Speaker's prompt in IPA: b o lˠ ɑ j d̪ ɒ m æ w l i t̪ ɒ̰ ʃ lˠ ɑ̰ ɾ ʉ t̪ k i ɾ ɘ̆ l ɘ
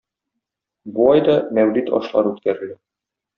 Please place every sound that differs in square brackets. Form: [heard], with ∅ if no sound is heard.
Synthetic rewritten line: b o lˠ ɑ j d̪ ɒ m æ w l i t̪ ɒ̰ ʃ lˠ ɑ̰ ɾ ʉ t̪ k [æ] ɾ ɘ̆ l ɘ